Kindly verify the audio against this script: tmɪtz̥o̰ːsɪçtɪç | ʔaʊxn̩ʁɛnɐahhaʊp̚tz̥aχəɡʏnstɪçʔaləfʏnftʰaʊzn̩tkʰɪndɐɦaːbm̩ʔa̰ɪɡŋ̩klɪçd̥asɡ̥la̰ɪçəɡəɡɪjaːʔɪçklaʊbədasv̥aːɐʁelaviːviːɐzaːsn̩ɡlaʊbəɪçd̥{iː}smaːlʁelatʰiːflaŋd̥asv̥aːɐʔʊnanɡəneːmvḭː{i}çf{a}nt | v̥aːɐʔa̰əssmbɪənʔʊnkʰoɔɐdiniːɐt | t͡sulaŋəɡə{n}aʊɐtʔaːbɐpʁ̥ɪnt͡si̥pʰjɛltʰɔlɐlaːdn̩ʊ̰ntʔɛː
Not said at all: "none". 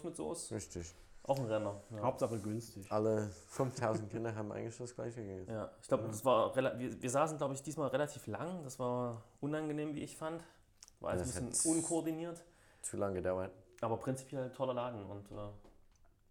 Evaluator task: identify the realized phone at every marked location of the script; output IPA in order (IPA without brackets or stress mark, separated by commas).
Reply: iː, ɪ, a, d